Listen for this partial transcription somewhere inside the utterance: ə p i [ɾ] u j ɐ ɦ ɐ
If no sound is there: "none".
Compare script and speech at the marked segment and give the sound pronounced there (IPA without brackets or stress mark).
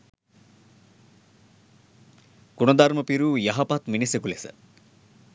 ɾ